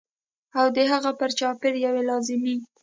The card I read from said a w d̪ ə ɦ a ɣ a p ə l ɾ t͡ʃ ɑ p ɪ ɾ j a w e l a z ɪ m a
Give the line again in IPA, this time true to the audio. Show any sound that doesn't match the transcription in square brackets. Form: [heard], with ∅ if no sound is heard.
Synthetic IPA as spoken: a w d̪ ə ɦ a ɣ a p ə [∅] ɾ t͡ʃ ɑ p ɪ ɾ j a w e l [ɑ] z ɪ m [i]

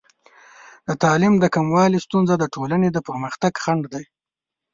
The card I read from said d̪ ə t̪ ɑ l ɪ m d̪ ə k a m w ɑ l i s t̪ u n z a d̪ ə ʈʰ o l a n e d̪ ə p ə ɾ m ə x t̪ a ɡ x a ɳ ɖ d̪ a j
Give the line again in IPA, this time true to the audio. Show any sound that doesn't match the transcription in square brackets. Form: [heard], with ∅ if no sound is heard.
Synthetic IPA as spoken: d̪ ə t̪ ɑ l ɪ m d̪ ə k a m w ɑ l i s t̪ u n z a d̪ ə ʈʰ o l a n e d̪ ə p ə ɾ m ə x t̪ a ɡ x a ɳ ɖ d̪ a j

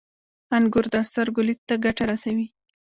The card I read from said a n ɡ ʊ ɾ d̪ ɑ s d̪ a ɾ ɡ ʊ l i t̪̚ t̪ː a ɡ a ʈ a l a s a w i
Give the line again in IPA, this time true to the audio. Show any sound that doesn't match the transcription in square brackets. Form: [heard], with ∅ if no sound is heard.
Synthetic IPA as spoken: a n ɡ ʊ ɾ d̪ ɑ s [t̪] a ɾ ɡ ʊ l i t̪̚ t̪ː a ɡ a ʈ a [ɾ] a s a w i

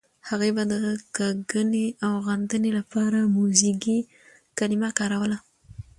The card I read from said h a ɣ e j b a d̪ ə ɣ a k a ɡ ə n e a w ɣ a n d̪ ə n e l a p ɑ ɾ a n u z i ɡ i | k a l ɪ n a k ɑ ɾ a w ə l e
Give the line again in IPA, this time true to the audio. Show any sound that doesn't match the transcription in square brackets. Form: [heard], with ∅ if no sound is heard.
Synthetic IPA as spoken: h a ɣ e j b a d̪ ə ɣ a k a ɡ ə n e a w ɣ a n d̪ ə n e l a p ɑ ɾ a [m] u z i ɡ i | k a l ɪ [m] a k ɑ ɾ a w ə l [a]

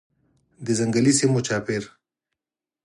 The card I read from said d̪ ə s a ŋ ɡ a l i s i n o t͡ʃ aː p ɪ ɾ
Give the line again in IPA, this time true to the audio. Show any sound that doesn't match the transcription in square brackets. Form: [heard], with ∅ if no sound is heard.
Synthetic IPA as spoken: d̪ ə [z] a ŋ ɡ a l i s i [m] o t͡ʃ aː p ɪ ɾ

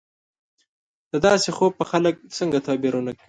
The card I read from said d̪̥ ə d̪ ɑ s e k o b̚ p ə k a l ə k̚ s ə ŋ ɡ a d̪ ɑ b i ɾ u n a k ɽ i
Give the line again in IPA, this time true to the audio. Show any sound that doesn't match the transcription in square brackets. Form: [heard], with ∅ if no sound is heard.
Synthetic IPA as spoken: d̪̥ ə d̪ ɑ s e [x] o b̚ p ə [x] a l ə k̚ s ə ŋ ɡ a [t̪] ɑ b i ɾ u n a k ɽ i

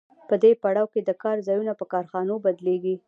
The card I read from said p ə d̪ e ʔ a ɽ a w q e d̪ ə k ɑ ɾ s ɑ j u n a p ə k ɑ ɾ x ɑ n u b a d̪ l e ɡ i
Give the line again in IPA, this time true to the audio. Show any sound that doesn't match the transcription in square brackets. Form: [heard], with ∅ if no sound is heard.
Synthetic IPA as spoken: p ə d̪ e [p] a ɽ [ɑ] w [k] e d̪ ə k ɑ ɾ [z] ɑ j u n a p ə k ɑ ɾ x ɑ n [o] b a d̪ l e ɡ i

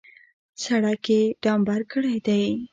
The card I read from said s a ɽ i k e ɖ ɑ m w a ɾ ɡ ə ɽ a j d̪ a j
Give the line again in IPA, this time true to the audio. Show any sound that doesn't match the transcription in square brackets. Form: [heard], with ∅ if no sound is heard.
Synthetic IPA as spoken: s a ɽ [a] k e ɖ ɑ m [b] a ɾ [k] ə ɽ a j d̪ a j

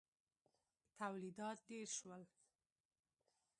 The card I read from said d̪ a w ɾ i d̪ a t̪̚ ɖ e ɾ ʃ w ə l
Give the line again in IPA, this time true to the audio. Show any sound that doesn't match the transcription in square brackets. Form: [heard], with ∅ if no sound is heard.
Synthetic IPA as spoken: [t̪] a w [l] i d̪ [ɑ] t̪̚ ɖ e ɾ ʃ w ə l

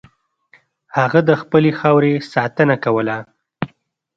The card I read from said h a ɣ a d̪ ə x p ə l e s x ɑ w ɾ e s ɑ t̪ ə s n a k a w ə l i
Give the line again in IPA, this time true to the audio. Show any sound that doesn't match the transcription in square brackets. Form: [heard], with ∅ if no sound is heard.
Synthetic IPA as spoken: h a ɣ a d̪ ə x p ə l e [∅] x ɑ w ɾ e s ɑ t̪ ə [∅] n a k a w ə l [a]

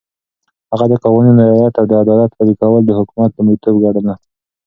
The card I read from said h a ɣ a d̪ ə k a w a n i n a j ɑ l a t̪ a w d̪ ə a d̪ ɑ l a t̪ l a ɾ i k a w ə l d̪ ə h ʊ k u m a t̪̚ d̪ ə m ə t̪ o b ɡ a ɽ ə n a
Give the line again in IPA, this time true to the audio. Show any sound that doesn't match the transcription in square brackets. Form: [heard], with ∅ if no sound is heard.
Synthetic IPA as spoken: h a ɣ a d̪ ə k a w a n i n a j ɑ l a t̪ a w d̪ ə a d̪ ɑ l a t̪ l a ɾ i k a w ə l d̪ ə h ʊ k u m a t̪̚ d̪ ə m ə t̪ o b ɡ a ɽ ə n a

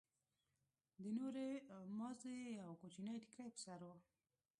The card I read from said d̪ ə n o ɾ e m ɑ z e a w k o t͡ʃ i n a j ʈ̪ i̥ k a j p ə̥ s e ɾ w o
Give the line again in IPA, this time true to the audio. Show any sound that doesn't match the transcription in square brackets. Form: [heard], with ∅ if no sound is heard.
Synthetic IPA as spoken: d̪ ə n o ɾ e m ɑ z e a w k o t͡ʃ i n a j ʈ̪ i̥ k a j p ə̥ s [a] ɾ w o

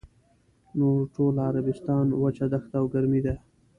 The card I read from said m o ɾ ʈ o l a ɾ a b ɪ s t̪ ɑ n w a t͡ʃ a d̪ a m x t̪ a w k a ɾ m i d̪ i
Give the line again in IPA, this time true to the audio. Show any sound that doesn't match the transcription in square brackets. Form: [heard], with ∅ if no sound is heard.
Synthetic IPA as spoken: [n] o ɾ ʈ o l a ɾ a b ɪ s t̪ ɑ n w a t͡ʃ a d̪ a [∅] x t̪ a w [ɡ] a ɾ m i d̪ [a]

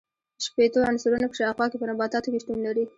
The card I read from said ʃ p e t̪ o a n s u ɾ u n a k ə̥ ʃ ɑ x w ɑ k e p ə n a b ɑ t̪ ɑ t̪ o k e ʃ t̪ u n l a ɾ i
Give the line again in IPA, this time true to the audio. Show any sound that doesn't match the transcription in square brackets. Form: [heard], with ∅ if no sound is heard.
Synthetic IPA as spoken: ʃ p e t̪ o a n s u ɾ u n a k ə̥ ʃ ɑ x w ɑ k e p ə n a b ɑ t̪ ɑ t̪ o k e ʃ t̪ u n l a ɾ i

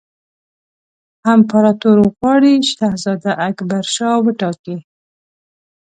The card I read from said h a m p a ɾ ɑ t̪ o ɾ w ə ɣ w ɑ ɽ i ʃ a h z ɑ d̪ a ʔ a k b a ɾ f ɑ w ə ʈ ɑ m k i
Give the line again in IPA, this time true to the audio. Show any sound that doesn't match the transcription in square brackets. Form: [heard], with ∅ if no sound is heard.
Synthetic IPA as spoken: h a m p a ɾ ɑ t̪ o ɾ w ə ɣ w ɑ ɽ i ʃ a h z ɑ d̪ a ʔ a k b a ɾ [ʃ] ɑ w ə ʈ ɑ [∅] k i

